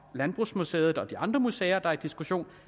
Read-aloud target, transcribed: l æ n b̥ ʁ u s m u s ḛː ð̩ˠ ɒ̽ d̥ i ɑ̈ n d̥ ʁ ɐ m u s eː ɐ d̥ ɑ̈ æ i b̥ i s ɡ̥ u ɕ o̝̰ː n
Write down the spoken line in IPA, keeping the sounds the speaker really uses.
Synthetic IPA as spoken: l æ n b̥ ʁ u s m u s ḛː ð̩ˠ ɒ̽ d̥ i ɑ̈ n d̥ ʁ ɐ m u s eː ɐ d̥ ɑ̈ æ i d̥ i s ɡ̥ u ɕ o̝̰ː n